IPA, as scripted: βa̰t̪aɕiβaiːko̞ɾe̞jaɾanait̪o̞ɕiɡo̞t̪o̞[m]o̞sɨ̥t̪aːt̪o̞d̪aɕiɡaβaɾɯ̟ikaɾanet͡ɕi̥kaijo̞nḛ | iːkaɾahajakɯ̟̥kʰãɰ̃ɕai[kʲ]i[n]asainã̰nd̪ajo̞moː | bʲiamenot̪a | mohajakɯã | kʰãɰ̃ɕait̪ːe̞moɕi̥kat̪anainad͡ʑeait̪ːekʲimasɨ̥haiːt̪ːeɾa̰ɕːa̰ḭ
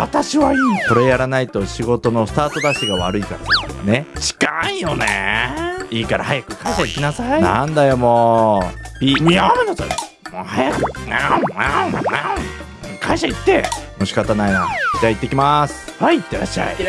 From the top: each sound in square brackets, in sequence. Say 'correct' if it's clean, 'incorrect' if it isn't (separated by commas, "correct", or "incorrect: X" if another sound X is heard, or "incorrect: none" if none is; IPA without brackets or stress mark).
incorrect: n, correct, correct